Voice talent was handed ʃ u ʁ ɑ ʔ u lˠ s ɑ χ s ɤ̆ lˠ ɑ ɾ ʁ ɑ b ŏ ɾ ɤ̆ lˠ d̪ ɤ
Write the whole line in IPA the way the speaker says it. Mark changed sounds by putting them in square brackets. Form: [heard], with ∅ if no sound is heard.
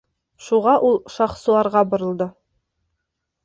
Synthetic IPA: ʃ u ʁ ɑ ʔ u lˠ [ʃ] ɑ χ s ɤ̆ lˠ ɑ ɾ ʁ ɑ b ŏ ɾ ɤ̆ lˠ d̪ ɤ